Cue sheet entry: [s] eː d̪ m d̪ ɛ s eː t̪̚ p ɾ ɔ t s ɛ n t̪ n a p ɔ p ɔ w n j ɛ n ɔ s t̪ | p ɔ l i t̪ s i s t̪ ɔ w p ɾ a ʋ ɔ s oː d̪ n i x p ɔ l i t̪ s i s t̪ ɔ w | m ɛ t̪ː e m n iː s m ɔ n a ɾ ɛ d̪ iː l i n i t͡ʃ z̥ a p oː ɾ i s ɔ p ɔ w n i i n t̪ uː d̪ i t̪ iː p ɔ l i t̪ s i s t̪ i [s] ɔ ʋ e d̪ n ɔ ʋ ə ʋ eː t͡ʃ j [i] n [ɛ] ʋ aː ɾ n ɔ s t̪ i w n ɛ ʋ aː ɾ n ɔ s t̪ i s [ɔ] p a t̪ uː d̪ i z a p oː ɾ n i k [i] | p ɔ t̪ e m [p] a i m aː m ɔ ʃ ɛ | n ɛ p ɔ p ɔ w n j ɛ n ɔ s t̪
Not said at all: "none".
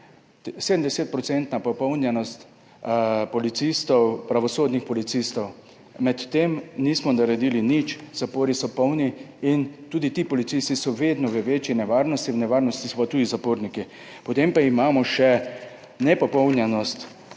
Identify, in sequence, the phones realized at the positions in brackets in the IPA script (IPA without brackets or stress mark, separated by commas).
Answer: s, s, i, ɛ, ɔ, i, p